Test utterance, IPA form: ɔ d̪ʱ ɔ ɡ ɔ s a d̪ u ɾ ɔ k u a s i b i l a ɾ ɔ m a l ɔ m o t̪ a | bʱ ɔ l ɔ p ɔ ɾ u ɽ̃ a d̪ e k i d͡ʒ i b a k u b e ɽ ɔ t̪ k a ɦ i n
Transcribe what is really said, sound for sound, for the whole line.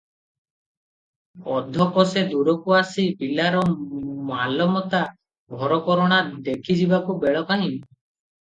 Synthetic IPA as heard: ɔ d̪ʱ ɔ k ɔ s e d̪ u ɾ ɔ k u a s i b i l a ɾ ɔ m a l ɔ m ɔ t̪ a | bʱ ɔ ɾ ɔ k ɔ ɾ ɔ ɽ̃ a d̪ e kʰ i d͡ʒ i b a k u b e ɭ ɔ k a ɦ i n